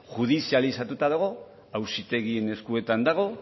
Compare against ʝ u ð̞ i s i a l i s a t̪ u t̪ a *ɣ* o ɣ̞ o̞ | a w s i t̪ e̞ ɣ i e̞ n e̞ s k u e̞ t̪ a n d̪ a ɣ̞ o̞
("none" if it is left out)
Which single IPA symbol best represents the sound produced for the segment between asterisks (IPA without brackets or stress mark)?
ð